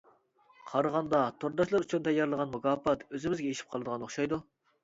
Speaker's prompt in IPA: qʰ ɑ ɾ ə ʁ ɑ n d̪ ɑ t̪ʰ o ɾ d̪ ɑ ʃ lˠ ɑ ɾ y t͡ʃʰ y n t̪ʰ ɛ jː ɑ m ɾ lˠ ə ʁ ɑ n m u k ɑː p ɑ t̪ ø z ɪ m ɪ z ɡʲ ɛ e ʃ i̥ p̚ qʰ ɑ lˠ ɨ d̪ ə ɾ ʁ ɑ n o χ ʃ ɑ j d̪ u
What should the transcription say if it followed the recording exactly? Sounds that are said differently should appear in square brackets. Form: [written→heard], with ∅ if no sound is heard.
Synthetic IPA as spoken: qʰ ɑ ɾ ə ʁ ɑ n d̪ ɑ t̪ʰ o ɾ d̪ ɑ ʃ lˠ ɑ ɾ y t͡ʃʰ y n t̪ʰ ɛ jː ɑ [m→∅] ɾ lˠ ə ʁ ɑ n m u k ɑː p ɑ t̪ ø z ɪ m ɪ z ɡʲ ɛ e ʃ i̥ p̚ qʰ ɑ lˠ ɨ d̪ ə [ɾ→∅] ʁ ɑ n o χ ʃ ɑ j d̪ u